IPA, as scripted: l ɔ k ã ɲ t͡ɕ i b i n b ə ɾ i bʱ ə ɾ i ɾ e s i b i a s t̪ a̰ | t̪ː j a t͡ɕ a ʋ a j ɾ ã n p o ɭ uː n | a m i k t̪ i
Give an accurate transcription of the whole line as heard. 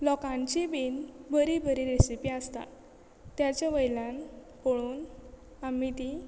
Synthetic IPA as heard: l ɔ k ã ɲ t͡ɕ i b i n b ə ɾ i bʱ ə ɾ i ɾ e s i p i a s t̪ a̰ | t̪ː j a t͡ɕ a ʋ ə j l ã n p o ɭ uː n | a m i t̪ i